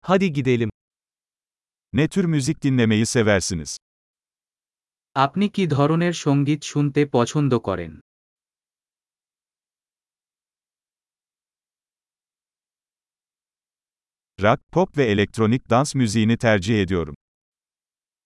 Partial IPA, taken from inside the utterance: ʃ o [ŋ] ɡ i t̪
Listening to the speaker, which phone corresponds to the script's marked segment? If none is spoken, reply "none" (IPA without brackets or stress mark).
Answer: ŋ